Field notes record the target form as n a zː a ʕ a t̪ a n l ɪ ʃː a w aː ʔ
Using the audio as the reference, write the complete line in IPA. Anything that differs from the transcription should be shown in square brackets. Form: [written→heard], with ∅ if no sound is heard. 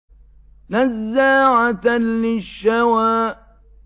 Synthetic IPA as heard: n a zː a ʕ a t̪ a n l ɪ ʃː a w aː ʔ